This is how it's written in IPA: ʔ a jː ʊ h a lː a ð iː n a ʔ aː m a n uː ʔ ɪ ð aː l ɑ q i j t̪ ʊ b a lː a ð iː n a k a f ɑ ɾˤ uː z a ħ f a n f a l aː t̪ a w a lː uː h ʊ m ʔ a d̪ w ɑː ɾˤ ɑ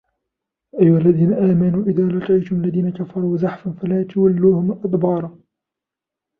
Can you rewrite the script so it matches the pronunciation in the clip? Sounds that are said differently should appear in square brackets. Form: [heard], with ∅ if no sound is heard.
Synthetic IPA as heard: ʔ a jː ʊ h a lː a ð iː n a ʔ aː m a n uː ʔ ɪ ð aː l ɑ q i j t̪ ʊ [m] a lː a ð iː n a k a f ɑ ɾˤ uː z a ħ f a n f a l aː t̪ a w a lː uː h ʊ m ʔ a d̪ [b] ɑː ɾˤ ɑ